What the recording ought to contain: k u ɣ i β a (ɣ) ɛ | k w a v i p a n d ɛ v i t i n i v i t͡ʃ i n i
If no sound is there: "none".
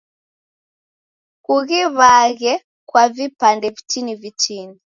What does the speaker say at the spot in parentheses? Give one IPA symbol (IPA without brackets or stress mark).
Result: ɣ